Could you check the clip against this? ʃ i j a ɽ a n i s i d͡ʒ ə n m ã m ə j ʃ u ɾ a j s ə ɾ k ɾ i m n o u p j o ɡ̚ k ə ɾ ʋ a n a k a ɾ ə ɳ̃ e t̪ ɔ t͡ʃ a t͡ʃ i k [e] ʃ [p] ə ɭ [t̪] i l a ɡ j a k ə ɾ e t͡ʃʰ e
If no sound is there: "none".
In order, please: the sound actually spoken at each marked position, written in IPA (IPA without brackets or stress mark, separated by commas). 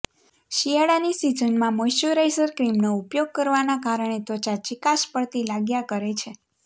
a, p, t̪